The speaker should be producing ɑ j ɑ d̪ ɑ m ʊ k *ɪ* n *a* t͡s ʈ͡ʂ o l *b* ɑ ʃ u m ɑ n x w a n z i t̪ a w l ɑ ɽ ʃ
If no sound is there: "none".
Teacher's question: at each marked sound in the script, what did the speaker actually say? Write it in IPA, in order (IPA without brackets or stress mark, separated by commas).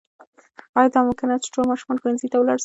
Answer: ɪ, a, m